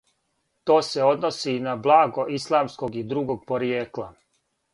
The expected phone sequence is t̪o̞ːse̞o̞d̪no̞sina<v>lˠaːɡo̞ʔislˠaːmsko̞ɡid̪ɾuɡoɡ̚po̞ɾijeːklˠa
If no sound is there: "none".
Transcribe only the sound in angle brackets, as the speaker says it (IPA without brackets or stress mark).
b